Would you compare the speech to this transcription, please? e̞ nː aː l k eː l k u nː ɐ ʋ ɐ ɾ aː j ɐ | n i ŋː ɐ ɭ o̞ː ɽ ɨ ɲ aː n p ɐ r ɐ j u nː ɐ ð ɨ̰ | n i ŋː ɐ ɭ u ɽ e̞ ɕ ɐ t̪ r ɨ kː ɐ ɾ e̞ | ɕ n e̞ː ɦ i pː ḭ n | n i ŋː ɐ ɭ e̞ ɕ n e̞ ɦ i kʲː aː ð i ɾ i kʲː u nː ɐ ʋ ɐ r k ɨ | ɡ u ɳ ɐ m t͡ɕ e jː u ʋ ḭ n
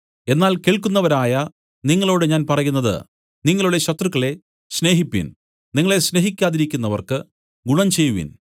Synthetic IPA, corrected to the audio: e̞ nː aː l k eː ɭ k u nː ɐ ʋ ɐ ɾ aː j ɐ | n i ŋː ɐ ɭ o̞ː ɽ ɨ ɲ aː n p ɐ r ɐ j u nː ɐ ð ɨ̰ | n i ŋː ɐ ɭ u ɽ e̞ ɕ ɐ t̪ r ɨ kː ɐ ɭ e̞ | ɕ n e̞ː ɦ i pː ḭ n | n i ŋː ɐ ɭ e̞ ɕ n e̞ ɦ i kʲː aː ð i ɾ i kʲː u nː ɐ ʋ ɐ r k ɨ | ɡ u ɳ ɐ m t͡ɕ e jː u ʋ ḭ n